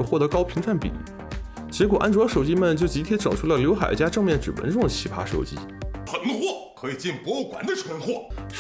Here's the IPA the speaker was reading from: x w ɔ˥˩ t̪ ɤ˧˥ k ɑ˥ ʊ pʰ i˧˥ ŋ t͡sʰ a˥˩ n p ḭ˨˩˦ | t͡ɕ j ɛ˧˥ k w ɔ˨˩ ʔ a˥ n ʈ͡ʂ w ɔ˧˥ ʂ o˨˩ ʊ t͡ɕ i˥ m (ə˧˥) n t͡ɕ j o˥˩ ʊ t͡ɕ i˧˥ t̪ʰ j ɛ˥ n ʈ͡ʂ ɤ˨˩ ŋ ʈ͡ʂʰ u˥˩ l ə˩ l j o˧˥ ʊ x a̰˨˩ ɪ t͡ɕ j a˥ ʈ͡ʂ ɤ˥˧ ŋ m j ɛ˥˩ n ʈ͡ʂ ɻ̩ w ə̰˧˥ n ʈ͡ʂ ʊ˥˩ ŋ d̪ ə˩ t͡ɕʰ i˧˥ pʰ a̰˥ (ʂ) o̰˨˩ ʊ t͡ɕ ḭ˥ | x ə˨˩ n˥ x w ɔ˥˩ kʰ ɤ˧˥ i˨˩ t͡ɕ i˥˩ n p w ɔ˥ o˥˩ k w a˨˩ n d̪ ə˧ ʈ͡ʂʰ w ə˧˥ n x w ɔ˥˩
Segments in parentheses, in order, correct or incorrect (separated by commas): incorrect, correct